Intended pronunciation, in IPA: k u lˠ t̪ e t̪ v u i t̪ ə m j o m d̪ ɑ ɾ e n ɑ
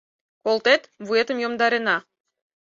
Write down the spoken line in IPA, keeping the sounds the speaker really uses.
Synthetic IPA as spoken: k o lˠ t̪ e t̪ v u e t̪ ə m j o m d̪ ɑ ɾ e n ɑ